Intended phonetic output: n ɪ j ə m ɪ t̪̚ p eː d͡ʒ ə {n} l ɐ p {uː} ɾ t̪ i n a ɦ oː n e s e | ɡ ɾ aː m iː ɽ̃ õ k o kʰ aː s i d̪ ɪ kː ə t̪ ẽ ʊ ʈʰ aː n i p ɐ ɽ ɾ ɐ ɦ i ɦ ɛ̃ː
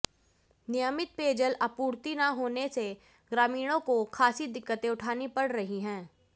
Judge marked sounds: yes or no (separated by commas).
no, yes